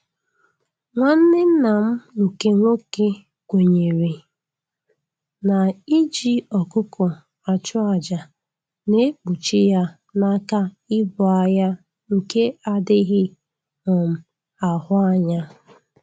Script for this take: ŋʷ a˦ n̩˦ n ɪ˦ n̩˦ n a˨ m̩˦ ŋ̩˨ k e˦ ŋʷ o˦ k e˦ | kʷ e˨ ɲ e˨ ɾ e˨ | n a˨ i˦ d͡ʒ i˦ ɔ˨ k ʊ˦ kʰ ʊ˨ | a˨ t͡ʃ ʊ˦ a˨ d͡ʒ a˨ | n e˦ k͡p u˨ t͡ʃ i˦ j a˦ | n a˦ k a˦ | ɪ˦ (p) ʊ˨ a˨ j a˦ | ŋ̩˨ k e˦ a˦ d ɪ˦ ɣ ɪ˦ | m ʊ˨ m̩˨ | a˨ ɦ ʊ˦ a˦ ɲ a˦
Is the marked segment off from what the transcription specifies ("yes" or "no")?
yes